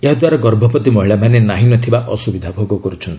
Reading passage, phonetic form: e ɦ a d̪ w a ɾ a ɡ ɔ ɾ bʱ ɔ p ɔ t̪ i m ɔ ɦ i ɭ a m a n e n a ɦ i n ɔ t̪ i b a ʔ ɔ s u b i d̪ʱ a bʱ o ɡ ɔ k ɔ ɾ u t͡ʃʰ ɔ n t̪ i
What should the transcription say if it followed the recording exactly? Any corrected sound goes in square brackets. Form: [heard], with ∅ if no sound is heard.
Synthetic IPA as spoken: e ɦ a d̪ w a ɾ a ɡ ɔ ɾ bʱ ɔ p ɔ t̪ i m ɔ ɦ i ɭ a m a n e n a ɦ i n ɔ [t̪ʰ] i b a ʔ ɔ s u b i d̪ʱ a bʱ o ɡ ɔ k ɔ ɾ u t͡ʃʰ ɔ n t̪ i